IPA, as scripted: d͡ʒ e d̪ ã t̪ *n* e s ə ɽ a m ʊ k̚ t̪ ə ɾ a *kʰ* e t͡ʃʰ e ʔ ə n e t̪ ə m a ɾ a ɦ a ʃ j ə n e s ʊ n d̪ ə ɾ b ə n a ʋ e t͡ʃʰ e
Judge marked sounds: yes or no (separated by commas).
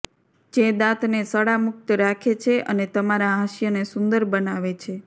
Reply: yes, yes